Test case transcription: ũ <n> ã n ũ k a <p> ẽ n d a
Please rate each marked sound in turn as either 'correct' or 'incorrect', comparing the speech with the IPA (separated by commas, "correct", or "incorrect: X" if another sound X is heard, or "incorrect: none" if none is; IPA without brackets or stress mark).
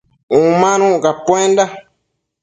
incorrect: m, correct